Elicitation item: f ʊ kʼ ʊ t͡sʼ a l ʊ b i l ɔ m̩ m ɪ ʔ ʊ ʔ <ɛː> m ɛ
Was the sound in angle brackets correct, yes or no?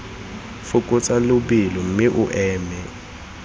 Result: yes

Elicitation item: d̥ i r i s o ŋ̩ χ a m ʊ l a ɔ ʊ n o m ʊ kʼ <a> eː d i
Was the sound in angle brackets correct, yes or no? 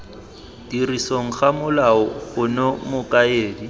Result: yes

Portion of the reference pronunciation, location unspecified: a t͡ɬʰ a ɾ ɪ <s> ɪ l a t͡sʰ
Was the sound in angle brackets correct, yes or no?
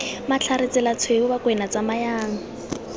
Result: no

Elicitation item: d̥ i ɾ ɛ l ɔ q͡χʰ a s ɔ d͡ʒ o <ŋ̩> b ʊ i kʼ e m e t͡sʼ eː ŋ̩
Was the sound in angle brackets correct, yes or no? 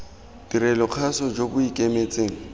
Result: no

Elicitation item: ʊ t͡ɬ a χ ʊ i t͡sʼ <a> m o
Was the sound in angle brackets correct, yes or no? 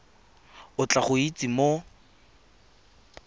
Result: no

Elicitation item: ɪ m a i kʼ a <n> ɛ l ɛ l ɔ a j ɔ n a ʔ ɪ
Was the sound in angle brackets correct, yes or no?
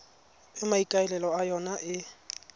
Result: no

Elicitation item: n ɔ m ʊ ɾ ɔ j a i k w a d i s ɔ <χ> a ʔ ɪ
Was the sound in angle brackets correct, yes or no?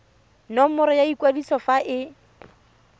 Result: no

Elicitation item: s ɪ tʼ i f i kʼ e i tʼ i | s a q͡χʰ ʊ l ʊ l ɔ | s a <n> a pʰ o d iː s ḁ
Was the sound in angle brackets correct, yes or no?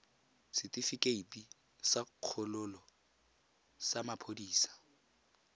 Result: no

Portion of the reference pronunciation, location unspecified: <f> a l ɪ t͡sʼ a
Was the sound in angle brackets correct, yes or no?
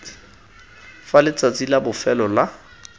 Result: yes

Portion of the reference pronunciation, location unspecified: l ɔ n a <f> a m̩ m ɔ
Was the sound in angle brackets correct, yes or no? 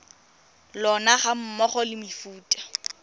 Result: no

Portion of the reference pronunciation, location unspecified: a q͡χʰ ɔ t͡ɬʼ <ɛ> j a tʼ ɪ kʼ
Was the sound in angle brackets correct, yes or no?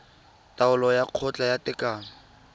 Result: no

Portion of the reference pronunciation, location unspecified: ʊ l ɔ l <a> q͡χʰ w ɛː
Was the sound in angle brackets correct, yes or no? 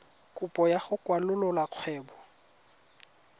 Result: yes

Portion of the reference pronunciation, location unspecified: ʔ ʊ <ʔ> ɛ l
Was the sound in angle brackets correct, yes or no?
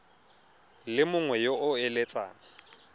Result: no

